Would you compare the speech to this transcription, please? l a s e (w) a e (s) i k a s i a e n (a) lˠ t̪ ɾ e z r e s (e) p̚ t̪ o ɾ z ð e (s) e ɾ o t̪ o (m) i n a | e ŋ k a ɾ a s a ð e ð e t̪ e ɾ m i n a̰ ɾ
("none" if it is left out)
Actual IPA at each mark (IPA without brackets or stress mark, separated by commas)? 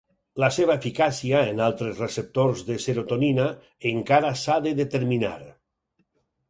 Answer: β, f, a, e, s, n